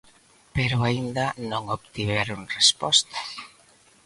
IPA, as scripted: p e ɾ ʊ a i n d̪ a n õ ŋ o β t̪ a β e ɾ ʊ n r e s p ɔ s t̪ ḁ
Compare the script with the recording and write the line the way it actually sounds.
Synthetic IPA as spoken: p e ɾ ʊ a i n d̪ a n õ ŋ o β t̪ i β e ɾ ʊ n r e s p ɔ s t̪ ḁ